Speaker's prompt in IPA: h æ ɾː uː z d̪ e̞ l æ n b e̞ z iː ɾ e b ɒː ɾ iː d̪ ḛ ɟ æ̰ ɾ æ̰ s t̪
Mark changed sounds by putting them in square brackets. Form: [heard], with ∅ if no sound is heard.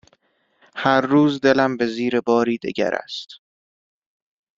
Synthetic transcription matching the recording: h æ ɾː uː z d̪ e̞ l æ [m] b e̞ z iː ɾ e b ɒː ɾ iː d̪ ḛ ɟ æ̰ ɾ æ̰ s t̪